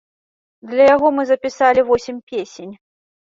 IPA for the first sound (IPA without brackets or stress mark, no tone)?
d̪